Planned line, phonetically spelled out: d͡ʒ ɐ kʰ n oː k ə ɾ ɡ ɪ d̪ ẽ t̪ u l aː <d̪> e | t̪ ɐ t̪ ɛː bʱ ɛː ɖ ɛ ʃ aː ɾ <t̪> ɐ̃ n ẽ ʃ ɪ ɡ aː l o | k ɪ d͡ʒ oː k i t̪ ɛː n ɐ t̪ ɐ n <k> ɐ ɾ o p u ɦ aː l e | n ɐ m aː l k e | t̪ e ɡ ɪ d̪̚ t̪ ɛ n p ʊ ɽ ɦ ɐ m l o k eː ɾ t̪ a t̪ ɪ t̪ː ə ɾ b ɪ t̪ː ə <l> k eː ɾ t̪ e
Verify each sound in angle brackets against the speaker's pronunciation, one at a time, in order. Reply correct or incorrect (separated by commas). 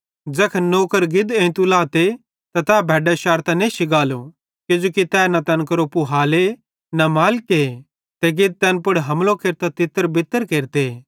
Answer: incorrect, correct, correct, incorrect